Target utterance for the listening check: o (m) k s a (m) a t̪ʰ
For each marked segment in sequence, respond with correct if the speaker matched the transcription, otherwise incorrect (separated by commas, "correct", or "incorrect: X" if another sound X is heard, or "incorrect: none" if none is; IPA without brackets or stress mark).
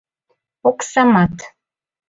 incorrect: none, correct